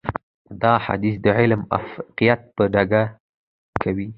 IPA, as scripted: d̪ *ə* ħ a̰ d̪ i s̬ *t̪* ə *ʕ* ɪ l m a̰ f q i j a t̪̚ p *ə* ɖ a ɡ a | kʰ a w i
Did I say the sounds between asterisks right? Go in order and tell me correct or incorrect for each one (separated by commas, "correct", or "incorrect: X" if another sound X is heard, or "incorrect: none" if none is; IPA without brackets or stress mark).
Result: incorrect: ɑ, incorrect: d̪, correct, correct